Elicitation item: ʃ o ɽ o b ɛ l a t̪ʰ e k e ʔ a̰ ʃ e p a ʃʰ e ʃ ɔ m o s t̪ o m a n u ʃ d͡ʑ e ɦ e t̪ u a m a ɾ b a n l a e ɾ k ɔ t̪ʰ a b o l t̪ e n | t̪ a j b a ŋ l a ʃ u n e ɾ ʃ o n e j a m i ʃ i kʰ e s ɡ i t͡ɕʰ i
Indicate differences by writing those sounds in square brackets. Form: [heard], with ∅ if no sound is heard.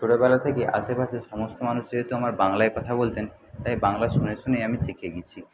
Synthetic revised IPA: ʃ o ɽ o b ɛ l a t̪ʰ e k e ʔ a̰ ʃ e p a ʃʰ e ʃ ɔ m o s t̪ o m a n u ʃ d͡ʑ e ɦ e t̪ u a m a ɾ b a [ŋ] l a e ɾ k ɔ t̪ʰ a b o l t̪ e n | t̪ a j b a ŋ l a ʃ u n e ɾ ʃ o n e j a m i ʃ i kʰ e [∅] ɡ i t͡ɕʰ i